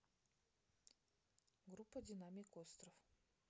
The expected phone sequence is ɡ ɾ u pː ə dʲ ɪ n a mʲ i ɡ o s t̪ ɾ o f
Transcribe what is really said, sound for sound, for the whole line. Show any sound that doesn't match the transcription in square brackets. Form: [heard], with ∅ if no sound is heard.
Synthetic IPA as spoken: ɡ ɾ u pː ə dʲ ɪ n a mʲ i [k] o s t̪ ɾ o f